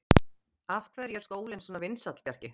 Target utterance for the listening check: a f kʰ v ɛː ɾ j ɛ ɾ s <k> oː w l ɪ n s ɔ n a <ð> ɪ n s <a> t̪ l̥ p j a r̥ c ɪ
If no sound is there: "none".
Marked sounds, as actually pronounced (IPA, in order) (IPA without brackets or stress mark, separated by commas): k, v, a